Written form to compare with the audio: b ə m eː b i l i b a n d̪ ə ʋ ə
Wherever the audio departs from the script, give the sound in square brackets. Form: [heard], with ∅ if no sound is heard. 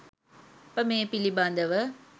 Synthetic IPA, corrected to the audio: [p] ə m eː [p] i l i b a n d̪ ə ʋ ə